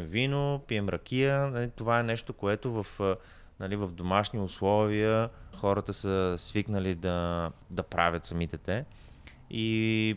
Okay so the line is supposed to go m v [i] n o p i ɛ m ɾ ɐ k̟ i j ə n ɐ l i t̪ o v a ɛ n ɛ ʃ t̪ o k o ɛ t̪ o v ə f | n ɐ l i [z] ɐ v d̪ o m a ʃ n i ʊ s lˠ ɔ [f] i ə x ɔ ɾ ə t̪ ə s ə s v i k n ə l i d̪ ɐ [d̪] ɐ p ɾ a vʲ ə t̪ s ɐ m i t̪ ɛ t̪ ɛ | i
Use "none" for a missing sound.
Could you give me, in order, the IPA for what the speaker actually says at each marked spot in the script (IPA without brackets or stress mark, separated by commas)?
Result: i, v, v, d̪